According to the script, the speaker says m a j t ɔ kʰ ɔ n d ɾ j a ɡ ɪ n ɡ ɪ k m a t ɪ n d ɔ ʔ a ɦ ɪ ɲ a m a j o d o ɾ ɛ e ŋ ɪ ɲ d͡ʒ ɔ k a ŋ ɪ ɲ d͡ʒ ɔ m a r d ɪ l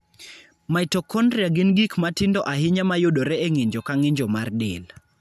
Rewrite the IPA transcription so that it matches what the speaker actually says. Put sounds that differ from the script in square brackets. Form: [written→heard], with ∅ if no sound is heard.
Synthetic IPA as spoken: m a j t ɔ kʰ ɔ n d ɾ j a ɡ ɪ n ɡ [ɪ→i] k m a t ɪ n d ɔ ʔ a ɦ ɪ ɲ a m a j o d o ɾ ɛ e ŋ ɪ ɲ d͡ʒ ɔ k a ŋ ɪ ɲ d͡ʒ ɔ m a r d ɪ l